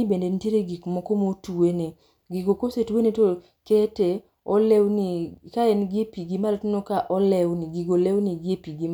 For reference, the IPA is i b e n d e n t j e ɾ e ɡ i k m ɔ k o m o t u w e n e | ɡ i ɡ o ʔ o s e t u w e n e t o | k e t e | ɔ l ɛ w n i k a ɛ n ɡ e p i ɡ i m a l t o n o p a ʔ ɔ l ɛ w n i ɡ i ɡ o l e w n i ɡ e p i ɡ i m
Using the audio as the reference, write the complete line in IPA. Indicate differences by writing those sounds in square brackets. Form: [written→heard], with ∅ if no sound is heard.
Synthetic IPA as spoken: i b e n d e n t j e ɾ e ɡ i k m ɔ k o m o t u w e n e | ɡ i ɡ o [ʔ→k] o s e t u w e n e t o | k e t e | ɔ l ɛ w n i k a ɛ n ɡ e p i ɡ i m a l t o n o [p→k] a ʔ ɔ l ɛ w n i ɡ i ɡ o l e w n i ɡ e p i ɡ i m